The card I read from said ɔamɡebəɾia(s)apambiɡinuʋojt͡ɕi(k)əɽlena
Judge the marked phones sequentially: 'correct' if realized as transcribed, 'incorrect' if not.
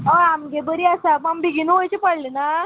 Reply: correct, incorrect

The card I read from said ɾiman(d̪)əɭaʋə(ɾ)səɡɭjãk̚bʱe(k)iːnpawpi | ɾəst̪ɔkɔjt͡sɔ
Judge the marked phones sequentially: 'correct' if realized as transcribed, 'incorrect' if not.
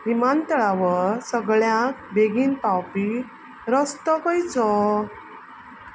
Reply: incorrect, correct, incorrect

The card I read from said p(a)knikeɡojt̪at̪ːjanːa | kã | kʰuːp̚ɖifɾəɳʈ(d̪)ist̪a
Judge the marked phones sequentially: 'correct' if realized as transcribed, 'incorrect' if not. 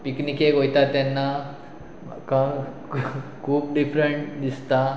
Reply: incorrect, correct

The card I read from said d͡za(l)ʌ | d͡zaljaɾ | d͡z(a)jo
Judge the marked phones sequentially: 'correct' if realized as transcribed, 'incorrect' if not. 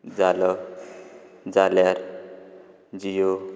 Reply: correct, incorrect

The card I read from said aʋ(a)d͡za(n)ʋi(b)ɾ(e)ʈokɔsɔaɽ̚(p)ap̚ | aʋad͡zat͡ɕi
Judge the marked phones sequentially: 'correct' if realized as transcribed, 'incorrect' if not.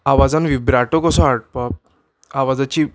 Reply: correct, correct, correct, incorrect, correct

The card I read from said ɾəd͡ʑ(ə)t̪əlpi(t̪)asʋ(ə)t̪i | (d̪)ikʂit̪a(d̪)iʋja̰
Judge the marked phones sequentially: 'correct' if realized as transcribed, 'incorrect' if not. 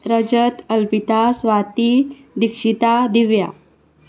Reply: correct, correct, incorrect, correct, correct

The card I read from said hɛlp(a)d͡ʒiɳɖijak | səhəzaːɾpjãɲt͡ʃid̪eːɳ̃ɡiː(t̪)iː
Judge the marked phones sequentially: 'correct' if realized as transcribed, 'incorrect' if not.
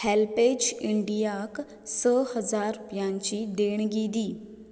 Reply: incorrect, incorrect

